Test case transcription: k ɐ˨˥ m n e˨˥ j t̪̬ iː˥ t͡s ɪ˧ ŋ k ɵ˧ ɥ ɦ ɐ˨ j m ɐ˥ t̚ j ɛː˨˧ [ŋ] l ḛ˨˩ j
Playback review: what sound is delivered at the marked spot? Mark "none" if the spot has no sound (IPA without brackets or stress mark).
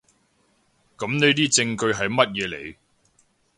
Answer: none